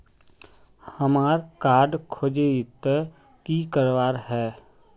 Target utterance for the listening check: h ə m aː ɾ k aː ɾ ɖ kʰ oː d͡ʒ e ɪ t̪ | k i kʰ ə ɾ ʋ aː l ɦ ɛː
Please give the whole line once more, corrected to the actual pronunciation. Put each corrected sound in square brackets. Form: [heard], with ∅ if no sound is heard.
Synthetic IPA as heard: h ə m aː ɾ k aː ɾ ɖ kʰ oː d͡ʒ e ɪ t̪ | k i [k] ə ɾ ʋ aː [ɾ] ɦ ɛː